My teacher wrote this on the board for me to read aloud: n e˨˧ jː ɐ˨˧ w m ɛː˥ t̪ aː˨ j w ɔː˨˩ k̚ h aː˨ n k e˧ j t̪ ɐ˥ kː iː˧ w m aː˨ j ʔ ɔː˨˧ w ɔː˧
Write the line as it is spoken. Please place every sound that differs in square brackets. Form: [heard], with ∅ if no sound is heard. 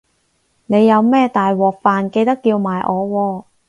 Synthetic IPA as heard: n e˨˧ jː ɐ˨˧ w m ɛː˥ t̪ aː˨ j w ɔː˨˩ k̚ [f] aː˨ n k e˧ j t̪ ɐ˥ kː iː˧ w m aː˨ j ʔ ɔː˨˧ w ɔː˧